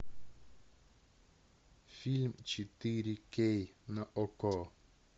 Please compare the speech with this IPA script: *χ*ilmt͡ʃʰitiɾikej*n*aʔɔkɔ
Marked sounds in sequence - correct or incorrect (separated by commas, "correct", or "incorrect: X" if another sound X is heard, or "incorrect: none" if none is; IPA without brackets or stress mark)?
incorrect: f, correct